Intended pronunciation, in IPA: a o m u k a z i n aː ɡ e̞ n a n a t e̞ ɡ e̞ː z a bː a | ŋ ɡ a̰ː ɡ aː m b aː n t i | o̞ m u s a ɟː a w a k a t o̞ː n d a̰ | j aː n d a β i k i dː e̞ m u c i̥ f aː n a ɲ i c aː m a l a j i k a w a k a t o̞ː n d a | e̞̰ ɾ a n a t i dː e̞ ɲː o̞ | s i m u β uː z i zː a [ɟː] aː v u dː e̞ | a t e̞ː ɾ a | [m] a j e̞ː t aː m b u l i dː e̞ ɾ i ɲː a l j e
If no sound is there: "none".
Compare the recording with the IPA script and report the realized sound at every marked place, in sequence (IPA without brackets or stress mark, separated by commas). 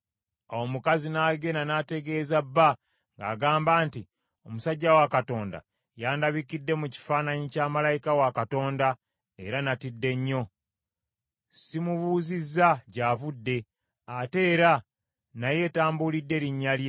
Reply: ɟ, n